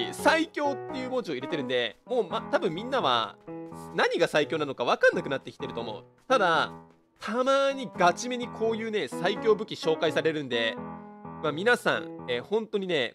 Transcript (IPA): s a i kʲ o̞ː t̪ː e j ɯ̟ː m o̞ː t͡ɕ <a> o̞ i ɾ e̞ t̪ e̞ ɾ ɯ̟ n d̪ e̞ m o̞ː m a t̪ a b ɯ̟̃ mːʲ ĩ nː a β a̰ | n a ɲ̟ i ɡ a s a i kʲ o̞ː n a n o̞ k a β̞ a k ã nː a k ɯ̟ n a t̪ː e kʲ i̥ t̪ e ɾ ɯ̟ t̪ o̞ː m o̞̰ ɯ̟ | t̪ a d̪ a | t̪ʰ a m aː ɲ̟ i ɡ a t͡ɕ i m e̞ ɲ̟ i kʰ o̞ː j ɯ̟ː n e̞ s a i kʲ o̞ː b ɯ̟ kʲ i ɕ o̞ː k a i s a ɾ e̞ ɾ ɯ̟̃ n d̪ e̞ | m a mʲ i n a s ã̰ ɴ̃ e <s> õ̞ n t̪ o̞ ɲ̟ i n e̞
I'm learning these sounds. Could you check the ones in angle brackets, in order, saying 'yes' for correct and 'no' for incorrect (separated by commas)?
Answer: no, no